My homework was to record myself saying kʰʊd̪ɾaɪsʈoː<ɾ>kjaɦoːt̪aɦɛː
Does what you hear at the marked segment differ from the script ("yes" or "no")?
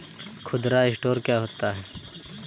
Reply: no